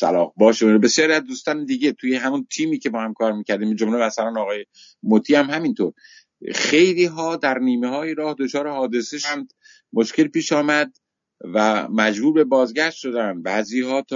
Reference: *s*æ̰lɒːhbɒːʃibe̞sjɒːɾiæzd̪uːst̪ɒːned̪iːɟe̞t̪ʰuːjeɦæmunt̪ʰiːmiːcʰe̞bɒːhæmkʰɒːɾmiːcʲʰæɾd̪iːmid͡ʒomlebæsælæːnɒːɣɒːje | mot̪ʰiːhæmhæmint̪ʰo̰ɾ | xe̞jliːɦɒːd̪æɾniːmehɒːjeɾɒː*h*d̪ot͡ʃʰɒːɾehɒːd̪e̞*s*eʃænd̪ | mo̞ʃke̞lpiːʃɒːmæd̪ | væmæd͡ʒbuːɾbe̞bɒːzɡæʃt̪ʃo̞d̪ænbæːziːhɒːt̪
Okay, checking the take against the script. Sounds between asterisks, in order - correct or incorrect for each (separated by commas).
correct, correct, correct